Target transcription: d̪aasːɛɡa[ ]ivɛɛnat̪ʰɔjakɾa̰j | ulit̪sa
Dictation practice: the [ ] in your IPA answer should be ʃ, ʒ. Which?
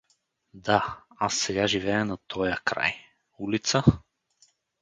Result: ʒ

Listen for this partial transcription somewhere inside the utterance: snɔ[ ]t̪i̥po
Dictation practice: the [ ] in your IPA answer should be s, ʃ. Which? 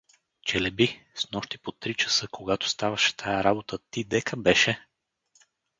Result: ʃ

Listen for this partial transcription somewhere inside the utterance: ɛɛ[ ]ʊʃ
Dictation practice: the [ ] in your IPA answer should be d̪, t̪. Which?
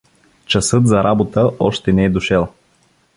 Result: d̪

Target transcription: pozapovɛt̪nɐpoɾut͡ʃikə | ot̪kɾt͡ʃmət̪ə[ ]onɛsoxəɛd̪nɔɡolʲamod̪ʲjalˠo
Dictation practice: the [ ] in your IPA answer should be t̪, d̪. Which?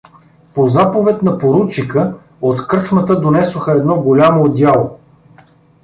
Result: d̪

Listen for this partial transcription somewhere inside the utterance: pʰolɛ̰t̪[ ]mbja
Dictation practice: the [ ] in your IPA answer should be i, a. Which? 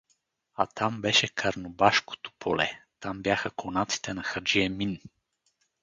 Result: a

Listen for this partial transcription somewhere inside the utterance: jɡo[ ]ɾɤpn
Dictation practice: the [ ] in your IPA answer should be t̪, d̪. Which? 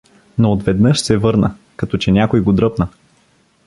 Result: d̪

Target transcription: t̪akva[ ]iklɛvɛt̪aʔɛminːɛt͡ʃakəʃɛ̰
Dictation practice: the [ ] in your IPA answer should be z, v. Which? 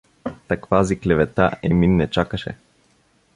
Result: z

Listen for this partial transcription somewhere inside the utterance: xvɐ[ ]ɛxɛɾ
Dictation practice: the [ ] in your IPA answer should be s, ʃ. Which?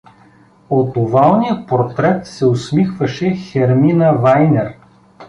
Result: ʃ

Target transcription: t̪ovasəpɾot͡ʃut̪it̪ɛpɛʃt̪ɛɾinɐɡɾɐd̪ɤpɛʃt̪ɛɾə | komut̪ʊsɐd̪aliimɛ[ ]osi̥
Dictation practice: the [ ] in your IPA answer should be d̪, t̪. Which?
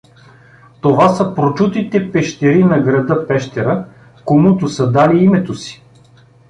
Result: t̪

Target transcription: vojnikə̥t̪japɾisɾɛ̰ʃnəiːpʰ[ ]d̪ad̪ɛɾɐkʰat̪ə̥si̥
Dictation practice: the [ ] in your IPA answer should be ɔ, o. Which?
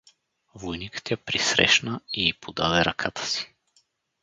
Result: o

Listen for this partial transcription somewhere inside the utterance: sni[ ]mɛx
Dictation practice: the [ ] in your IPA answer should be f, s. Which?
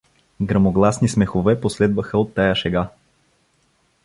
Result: s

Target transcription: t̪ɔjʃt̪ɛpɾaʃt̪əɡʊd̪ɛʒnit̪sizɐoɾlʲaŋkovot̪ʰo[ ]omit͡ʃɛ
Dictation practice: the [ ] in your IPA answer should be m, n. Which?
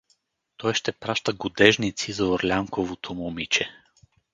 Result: m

